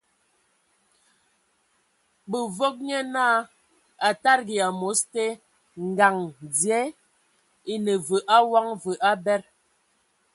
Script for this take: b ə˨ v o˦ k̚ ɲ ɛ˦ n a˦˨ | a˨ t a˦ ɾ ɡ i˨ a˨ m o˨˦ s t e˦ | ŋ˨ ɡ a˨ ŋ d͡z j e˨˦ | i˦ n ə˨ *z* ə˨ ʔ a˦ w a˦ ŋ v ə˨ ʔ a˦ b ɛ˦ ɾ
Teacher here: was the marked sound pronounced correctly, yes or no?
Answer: no